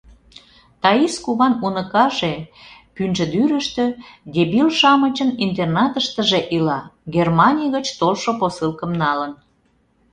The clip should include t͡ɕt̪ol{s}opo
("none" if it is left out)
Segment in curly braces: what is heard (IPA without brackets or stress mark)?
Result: ʃ